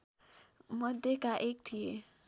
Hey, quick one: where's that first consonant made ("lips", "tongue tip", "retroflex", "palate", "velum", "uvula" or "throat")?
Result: lips